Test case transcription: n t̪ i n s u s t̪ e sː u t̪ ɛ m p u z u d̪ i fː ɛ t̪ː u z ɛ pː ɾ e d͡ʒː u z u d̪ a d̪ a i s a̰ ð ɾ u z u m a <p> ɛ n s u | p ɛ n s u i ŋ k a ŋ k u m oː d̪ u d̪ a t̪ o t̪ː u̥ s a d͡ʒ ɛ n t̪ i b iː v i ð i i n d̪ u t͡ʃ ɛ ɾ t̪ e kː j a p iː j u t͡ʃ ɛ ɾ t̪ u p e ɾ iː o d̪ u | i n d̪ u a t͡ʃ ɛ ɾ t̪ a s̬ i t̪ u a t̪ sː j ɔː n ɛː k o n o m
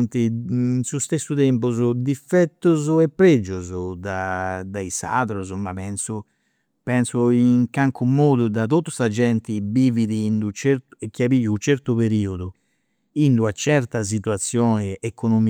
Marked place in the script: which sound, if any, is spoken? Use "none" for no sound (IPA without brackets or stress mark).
p